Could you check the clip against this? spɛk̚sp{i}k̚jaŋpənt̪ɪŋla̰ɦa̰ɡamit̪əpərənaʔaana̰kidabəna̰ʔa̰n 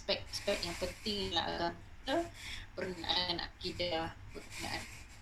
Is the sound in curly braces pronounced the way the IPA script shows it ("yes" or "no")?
no